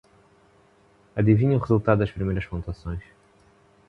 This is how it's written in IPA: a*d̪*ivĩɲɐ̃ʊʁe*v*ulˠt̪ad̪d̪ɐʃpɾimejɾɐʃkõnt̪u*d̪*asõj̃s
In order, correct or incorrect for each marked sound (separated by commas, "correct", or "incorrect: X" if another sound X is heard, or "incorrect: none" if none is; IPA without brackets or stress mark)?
correct, incorrect: z, incorrect: none